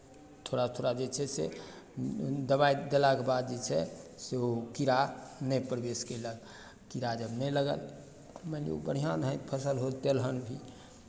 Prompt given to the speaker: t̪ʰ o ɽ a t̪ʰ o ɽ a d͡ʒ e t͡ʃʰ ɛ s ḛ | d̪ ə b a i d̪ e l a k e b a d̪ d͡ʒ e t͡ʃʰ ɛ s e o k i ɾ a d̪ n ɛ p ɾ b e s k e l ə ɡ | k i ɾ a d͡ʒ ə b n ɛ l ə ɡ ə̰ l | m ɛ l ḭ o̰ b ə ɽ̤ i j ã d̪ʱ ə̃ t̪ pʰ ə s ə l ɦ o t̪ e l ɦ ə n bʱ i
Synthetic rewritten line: t̪ʰ o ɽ a t̪ʰ o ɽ a d͡ʒ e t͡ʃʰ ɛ s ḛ | d̪ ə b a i d̪ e l a k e b a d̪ d͡ʒ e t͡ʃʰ ɛ s e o k i ɾ a n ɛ p ɾ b e s k e l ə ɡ | k i ɾ a d͡ʒ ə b n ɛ l ə ɡ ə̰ l | m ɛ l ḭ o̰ b ə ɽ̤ i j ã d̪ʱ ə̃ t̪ pʰ ə s ə l ɦ o t̪ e l ɦ ə n bʱ i